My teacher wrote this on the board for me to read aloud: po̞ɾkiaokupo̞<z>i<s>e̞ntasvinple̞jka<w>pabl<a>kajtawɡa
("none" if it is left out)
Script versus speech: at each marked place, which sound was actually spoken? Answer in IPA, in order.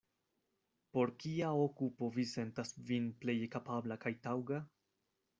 v, s, none, a

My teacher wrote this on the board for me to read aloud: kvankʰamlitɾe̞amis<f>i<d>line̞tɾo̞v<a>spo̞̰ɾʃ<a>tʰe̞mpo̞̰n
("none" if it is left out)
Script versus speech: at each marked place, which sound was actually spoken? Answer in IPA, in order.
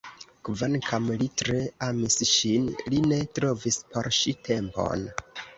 ʃ, n, i, i

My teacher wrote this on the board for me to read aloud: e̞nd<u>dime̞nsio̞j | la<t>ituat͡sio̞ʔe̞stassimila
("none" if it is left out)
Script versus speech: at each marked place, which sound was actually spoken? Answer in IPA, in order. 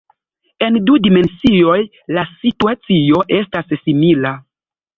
u, s

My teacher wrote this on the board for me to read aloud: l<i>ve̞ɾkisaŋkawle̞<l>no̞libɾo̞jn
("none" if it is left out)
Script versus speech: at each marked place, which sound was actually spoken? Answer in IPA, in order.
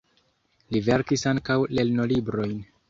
i, l

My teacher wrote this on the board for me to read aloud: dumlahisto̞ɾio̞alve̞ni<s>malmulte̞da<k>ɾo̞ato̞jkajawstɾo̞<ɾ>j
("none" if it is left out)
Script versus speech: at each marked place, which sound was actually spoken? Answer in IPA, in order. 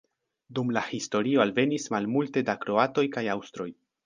s, k, none

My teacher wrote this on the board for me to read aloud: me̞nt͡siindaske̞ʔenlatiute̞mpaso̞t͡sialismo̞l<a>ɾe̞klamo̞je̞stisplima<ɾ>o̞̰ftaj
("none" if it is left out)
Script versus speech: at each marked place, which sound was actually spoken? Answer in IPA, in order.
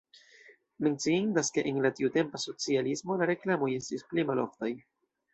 a, l

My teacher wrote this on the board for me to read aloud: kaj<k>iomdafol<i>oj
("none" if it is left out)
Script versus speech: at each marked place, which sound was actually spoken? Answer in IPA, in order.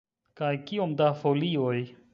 k, i

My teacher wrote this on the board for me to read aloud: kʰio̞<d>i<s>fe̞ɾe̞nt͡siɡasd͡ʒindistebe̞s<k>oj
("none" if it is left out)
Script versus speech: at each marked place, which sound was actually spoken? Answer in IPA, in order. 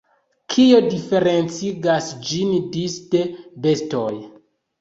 d, none, t

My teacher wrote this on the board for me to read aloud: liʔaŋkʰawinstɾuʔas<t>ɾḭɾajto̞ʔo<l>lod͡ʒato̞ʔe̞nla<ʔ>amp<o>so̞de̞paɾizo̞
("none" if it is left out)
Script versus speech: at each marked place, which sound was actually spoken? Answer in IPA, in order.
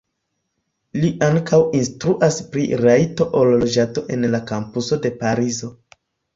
p, l, k, u

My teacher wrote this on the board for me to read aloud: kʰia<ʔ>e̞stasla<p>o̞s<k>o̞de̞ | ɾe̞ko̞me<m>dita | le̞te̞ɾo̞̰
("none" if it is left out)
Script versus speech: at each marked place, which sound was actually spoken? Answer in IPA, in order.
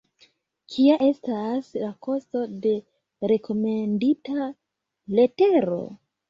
ʔ, k, t, n

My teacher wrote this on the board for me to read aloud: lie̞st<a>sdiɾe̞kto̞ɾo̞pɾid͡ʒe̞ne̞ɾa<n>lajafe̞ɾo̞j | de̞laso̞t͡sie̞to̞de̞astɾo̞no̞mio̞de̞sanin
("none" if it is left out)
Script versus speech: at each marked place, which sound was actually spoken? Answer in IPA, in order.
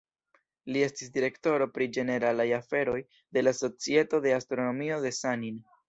i, none

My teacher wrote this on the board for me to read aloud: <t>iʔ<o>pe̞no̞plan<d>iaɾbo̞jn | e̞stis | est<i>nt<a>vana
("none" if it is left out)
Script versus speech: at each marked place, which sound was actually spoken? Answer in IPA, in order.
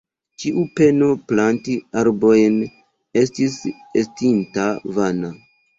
t͡ʃ, u, t, i, a

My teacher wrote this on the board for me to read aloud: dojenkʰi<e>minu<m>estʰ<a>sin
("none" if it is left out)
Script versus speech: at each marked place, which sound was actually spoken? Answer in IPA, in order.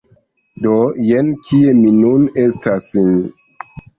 e, n, a

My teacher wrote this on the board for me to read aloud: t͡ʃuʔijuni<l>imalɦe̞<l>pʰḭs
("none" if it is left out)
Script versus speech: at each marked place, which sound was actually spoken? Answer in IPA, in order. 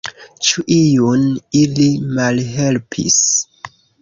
l, l

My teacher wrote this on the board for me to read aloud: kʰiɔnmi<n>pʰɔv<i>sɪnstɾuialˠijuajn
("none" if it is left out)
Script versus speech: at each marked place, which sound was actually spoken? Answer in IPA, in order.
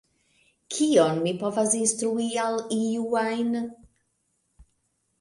none, a

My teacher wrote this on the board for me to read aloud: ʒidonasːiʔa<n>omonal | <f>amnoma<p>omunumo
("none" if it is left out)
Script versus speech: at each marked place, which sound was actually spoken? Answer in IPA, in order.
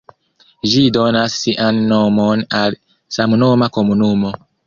nː, s, k

